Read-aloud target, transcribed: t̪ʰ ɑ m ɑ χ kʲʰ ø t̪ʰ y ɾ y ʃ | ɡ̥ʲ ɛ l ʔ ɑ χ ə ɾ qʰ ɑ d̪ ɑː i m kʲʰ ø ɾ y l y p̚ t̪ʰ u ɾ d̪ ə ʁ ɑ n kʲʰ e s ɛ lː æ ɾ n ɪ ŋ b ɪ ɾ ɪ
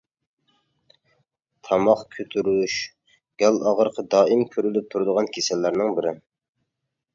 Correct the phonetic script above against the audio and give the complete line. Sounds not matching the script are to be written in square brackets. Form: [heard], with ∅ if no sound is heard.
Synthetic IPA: t̪ʰ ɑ m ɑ χ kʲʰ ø t̪ʰ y ɾ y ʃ | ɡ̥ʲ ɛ l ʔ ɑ [ʁ] ə ɾ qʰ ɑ d̪ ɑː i m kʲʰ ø ɾ y l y p̚ t̪ʰ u ɾ d̪ ə ʁ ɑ n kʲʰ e s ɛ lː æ ɾ n ɪ ŋ b ɪ ɾ ɪ